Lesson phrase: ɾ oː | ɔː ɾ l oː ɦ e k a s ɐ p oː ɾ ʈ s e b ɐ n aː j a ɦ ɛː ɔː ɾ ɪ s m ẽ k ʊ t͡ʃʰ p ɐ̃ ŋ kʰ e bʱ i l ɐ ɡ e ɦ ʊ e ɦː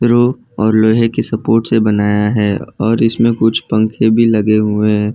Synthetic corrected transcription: ɾ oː | ɔː ɾ l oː ɦ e k e s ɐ p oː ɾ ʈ s e b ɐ n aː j a ɦ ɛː ɔː ɾ ɪ s m ẽ k ʊ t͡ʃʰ p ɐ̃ ŋ kʰ e bʱ i l ɐ ɡ e ɦ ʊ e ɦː